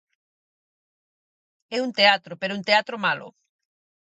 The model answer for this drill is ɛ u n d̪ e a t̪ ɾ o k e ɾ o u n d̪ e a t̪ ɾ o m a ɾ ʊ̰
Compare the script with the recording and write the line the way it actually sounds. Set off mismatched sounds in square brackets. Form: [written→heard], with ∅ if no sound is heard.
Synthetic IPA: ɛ u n [d̪→t̪] e a t̪ ɾ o [k→p] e ɾ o u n [d̪→t̪] e a t̪ ɾ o m a [ɾ→l] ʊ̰